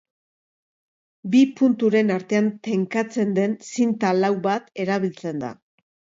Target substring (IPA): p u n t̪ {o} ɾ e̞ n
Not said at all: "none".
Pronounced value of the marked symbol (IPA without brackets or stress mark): u